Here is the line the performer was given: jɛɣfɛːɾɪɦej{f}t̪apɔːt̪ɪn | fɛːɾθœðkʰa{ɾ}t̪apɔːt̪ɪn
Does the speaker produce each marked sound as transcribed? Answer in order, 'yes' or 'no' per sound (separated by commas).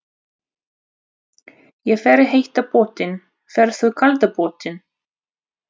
no, no